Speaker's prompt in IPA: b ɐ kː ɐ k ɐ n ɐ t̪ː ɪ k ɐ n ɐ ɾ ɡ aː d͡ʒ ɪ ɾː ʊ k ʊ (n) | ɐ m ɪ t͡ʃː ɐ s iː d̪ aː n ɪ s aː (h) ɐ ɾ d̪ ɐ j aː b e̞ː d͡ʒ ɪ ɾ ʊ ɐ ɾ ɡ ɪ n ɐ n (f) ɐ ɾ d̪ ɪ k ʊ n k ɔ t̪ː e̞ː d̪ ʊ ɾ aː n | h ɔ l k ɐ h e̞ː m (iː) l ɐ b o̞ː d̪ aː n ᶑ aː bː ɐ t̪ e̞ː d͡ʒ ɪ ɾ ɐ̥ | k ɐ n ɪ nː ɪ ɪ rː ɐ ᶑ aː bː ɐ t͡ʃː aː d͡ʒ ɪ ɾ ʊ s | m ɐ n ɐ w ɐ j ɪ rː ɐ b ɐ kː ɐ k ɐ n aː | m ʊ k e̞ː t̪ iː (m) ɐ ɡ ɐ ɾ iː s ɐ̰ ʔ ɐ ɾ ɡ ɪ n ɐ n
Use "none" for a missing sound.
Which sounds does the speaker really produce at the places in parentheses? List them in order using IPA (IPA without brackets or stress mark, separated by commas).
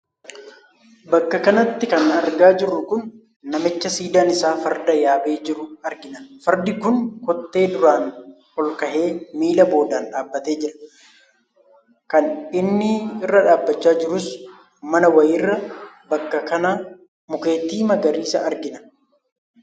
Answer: nː, f, f, iː, m